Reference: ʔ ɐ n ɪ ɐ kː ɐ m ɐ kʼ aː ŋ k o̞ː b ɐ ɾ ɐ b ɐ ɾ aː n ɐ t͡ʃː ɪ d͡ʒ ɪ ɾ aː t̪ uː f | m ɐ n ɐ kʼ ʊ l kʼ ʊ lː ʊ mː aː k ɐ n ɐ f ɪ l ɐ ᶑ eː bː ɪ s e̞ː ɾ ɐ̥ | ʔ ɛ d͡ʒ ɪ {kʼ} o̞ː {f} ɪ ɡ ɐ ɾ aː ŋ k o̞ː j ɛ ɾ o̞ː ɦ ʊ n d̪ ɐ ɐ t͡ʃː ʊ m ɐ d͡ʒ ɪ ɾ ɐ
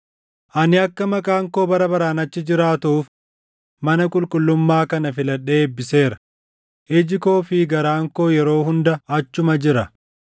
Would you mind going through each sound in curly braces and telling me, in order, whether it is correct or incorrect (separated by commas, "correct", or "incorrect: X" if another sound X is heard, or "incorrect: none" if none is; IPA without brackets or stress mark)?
incorrect: k, correct